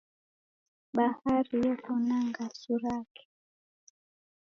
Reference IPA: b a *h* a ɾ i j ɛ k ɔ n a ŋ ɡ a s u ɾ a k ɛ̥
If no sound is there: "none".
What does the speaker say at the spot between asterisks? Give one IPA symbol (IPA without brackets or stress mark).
h